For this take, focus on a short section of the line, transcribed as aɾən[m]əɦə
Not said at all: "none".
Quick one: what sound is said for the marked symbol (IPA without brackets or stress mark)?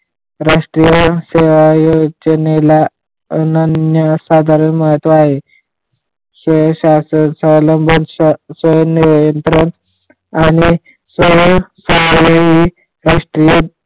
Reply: m